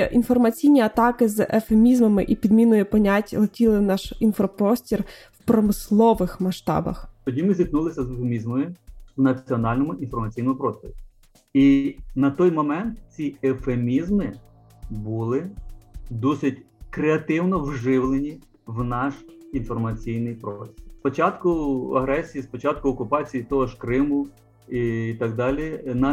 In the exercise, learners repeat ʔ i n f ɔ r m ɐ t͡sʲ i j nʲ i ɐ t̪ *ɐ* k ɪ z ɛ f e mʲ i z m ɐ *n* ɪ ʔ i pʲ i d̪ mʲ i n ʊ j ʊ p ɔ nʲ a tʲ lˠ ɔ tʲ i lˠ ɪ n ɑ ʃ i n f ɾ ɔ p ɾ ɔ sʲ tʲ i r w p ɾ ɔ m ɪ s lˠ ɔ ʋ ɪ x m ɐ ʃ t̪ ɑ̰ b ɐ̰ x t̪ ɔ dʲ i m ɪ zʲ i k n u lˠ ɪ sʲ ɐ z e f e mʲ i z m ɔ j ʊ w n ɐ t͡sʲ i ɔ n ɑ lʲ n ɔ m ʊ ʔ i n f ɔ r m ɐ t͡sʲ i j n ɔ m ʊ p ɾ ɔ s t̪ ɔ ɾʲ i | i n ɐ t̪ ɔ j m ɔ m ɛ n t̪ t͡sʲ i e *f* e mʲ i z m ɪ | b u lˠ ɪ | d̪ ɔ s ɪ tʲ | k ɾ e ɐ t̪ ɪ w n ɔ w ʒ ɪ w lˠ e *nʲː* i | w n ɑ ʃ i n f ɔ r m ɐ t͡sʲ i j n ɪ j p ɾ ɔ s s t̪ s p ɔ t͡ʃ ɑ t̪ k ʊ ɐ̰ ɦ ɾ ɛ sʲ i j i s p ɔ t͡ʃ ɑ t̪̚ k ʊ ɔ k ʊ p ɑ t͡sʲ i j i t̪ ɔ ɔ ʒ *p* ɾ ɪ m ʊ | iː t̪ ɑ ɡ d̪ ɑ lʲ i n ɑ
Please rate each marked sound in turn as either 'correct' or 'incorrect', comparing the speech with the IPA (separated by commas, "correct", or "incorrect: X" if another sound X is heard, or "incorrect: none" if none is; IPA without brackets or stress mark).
incorrect: ɑ, incorrect: m, correct, incorrect: nʲ, incorrect: k